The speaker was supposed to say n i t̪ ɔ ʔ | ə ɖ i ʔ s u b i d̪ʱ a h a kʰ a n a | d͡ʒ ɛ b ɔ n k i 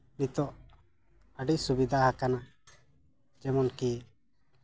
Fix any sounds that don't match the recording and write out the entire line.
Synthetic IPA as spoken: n i t̪ ɔ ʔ | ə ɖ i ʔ s u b i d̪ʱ a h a k a n a | d͡ʒ ɛ m ɔ n k i